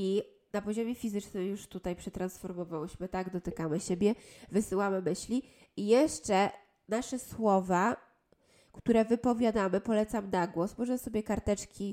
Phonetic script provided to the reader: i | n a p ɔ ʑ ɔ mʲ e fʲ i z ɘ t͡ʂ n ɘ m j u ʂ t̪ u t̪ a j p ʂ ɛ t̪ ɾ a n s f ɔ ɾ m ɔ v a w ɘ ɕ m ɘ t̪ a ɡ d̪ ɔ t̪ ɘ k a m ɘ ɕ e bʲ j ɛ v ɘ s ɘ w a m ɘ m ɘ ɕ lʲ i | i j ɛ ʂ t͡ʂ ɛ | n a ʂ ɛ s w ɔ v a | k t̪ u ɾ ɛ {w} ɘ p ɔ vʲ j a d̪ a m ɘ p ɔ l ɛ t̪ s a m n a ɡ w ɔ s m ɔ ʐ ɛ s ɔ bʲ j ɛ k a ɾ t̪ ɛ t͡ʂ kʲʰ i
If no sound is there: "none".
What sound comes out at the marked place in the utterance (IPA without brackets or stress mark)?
v